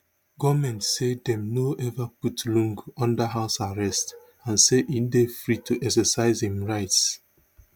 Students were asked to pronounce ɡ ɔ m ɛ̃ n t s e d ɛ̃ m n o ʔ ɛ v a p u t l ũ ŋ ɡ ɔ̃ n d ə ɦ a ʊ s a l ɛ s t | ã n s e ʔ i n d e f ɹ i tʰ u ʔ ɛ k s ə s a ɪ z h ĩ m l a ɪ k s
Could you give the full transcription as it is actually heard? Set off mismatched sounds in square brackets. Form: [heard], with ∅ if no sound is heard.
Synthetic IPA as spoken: ɡ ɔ m ɛ̃ n t s e d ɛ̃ m n o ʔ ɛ v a p u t l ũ ŋ ɡ ɔ̃ n d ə ɦ a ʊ s a [ɹ] ɛ s t | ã n s e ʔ i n d e f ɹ i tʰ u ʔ ɛ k s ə s a ɪ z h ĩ m [ɹ] a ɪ [t] s